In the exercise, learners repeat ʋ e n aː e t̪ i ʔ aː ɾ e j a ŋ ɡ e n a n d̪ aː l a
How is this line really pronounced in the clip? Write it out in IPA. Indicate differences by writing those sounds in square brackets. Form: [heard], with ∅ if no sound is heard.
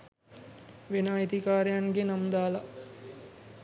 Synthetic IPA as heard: ʋ e n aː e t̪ i [k] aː ɾ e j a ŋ ɡ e n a [m] d̪ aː l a